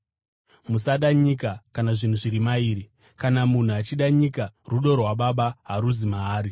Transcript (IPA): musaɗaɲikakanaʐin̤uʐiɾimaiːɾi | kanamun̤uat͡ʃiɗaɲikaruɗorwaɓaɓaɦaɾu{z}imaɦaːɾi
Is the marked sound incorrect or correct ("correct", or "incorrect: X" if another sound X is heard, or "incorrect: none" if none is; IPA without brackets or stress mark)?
correct